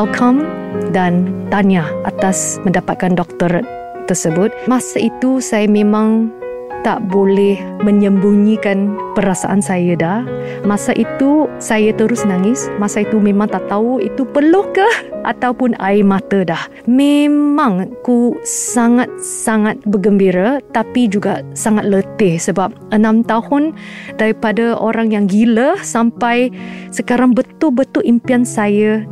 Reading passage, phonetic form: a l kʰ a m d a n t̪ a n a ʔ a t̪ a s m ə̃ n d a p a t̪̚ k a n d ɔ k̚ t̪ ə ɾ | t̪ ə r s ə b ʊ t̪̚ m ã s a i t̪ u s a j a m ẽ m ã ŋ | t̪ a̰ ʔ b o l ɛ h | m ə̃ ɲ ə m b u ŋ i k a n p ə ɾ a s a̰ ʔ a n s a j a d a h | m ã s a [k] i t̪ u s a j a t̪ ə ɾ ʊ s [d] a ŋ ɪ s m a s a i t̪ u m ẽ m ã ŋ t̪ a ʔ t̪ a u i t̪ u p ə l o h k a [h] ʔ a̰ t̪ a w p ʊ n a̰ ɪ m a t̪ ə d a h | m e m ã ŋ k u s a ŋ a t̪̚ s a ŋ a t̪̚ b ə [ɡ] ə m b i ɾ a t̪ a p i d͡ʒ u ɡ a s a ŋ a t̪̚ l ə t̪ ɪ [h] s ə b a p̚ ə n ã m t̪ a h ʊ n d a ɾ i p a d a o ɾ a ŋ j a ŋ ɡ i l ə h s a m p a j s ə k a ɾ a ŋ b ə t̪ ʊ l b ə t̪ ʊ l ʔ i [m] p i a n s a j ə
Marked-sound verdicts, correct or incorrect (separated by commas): incorrect, incorrect, correct, correct, correct, correct